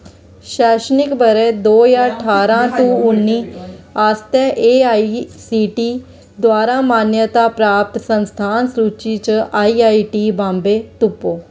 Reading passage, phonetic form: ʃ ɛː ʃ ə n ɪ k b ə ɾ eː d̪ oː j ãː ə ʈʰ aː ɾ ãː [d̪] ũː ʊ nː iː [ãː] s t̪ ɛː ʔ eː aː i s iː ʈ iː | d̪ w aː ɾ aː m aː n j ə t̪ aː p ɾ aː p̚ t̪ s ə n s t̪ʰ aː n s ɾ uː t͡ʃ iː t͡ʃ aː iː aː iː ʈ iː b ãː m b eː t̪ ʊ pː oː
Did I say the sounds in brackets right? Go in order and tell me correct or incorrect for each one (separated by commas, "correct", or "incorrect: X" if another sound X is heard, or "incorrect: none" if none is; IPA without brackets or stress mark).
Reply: incorrect: t̪, incorrect: aː